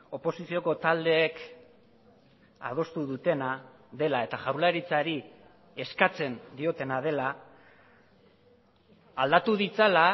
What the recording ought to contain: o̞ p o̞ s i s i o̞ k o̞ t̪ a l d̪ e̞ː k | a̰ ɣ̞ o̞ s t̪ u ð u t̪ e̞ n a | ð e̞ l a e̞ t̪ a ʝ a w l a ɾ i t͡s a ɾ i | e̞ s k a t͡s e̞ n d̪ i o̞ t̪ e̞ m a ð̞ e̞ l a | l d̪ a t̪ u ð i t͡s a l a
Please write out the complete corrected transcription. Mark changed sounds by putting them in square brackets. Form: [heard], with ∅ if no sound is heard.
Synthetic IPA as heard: o̞ p o̞ s i s i o̞ k o̞ t̪ a l d̪ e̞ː k | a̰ [ð̞] o̞ s t̪ u ð u t̪ e̞ n a | ð e̞ l a e̞ t̪ a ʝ a w l a ɾ i t͡s a ɾ i | e̞ s k a t͡s e̞ n d̪ i o̞ t̪ e̞ [n] a ð̞ e̞ l a | l d̪ a t̪ u ð i t͡s a l a